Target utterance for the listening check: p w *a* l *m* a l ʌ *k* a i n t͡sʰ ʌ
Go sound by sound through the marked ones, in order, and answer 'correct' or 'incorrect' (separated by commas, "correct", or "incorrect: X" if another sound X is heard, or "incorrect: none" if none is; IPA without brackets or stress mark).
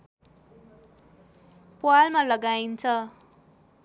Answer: correct, correct, incorrect: ɡ